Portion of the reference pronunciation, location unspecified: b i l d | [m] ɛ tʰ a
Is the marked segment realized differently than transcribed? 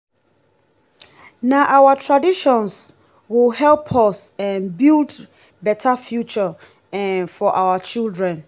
yes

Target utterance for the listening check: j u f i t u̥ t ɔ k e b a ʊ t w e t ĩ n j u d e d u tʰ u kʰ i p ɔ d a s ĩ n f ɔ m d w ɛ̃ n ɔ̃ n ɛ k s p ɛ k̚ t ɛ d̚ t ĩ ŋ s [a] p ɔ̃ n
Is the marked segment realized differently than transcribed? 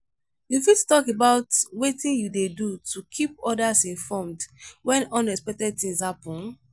no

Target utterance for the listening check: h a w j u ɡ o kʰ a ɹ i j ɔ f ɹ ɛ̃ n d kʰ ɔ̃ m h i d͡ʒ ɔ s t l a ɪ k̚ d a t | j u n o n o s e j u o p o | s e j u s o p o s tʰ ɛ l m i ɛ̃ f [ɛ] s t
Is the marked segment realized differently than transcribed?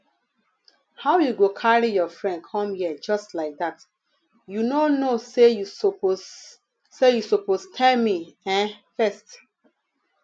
no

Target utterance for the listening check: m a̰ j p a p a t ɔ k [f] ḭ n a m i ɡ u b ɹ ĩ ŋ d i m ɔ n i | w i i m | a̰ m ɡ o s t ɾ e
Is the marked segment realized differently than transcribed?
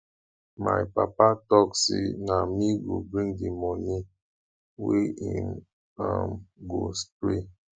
yes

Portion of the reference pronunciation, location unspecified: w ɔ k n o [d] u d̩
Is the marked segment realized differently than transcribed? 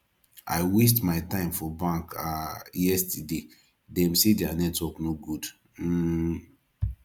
yes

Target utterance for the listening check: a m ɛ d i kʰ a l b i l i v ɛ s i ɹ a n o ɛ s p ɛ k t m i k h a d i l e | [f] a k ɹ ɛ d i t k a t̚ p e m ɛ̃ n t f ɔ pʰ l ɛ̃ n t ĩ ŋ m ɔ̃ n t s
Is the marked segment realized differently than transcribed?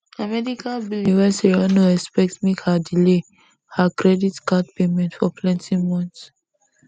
yes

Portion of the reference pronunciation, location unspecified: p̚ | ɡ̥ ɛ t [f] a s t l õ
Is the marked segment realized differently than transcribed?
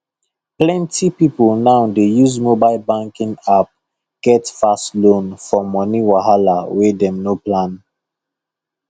no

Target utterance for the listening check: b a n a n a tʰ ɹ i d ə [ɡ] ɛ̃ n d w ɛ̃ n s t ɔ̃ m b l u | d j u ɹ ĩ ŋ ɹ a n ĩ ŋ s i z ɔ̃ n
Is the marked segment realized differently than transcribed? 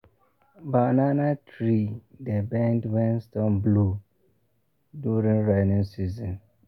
yes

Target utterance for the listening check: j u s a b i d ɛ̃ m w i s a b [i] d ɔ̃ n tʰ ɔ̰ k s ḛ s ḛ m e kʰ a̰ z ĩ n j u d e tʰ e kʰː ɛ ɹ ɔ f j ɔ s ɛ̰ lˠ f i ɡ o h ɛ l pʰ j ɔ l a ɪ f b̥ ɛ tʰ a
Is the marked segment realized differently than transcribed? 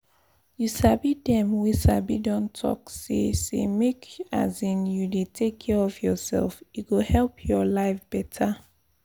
no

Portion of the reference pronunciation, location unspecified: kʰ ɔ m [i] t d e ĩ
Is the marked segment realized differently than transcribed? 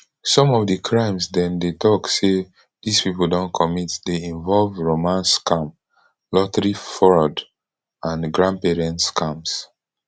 no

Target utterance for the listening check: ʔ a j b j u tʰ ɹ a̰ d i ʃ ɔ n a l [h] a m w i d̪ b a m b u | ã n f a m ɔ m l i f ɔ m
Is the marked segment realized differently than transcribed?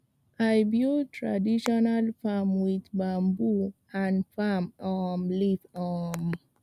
yes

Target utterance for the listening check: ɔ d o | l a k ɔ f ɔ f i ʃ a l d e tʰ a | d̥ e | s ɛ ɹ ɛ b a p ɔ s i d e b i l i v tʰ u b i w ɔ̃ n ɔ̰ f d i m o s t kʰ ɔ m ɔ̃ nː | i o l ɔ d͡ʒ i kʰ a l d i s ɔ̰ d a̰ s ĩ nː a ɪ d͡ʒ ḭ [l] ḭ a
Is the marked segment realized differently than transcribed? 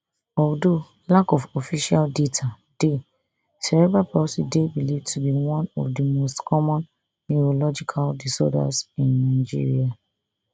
yes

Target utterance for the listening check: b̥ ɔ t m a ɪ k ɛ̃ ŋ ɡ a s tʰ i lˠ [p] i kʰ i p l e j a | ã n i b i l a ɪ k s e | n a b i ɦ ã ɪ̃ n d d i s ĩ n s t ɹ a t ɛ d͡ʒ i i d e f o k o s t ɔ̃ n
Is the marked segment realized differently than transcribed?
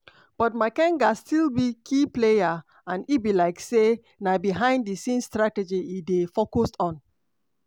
yes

